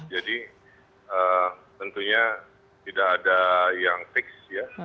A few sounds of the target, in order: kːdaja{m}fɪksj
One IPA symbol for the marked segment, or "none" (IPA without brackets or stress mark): ŋ